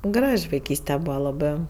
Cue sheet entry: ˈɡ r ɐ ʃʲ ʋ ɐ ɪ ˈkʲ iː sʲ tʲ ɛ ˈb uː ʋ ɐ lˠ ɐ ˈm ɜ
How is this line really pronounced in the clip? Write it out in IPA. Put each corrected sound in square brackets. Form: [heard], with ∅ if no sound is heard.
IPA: ˈɡ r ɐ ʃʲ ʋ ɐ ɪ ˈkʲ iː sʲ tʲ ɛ ˈb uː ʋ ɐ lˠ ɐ [ˈb] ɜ